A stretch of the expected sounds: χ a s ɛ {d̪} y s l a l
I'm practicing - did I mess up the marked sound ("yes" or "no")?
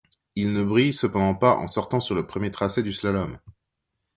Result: no